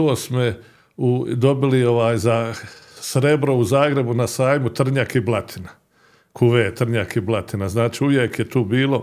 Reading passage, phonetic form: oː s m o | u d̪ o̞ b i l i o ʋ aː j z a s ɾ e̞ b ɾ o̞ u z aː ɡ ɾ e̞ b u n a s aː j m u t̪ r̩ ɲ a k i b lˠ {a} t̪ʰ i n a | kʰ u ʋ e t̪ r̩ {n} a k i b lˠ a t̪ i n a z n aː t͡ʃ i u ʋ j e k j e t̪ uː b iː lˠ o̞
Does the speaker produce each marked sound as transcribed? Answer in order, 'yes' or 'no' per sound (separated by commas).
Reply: yes, no